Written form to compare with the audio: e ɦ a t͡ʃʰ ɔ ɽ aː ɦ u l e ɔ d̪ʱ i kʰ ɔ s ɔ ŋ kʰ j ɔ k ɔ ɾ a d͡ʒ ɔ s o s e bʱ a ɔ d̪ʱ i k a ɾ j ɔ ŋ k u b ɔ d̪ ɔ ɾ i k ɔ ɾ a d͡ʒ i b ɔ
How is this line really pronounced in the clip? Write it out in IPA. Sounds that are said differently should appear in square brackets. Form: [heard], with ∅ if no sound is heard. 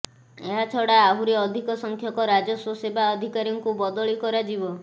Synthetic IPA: e ɦ a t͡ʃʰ ɔ ɽ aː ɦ u [ɾ] e ɔ d̪ʱ i [k] ɔ s ɔ ŋ kʰ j ɔ k ɔ ɾ a d͡ʒ ɔ s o s e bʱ a ɔ d̪ʱ i k a ɾ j ɔ ŋ k u b ɔ d̪ ɔ [ɭ] i k ɔ ɾ a d͡ʒ i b ɔ